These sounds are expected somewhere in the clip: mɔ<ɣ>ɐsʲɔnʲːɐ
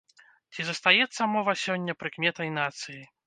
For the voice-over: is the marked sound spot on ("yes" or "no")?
no